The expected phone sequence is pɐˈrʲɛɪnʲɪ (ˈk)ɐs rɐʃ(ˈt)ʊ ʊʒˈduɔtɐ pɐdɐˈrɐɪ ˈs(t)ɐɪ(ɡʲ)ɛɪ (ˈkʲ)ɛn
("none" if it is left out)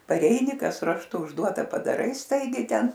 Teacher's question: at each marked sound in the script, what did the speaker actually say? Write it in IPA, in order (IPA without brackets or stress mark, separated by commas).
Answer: k, t, t, ɡʲ, tʲ